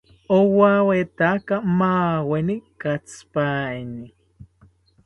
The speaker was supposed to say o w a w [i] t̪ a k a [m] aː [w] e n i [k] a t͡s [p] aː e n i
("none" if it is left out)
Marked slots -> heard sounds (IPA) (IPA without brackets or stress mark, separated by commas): e, m, w, k, p